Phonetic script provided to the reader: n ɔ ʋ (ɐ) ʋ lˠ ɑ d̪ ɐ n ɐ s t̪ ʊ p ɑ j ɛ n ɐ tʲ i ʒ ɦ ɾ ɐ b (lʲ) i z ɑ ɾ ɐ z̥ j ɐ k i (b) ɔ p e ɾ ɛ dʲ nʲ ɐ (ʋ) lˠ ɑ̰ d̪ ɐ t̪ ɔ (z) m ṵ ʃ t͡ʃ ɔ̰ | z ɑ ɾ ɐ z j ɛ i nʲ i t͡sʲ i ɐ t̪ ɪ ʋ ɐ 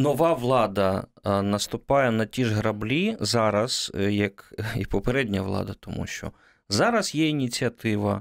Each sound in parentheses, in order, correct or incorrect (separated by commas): incorrect, correct, incorrect, correct, incorrect